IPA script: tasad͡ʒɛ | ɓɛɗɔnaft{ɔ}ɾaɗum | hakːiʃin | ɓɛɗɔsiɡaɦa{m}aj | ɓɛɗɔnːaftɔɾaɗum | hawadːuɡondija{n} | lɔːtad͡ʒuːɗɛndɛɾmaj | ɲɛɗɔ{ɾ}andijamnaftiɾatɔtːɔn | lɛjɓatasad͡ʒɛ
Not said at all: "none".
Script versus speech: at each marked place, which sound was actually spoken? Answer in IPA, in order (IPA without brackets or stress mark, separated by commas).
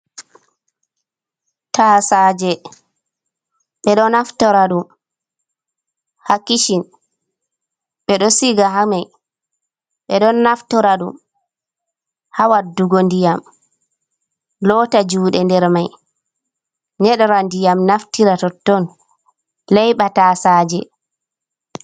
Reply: ɔ, m, m, ɾ